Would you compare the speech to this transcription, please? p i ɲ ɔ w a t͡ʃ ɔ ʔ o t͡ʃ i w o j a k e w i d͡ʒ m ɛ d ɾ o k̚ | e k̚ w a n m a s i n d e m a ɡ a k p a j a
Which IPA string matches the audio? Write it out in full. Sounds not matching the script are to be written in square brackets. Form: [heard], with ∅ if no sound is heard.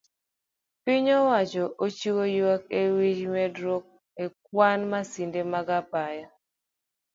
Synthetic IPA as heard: p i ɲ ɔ w a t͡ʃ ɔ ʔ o t͡ʃ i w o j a k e w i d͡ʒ m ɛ d ɾ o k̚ | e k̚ w a n m a s i n d e m a ɡ a [∅] p a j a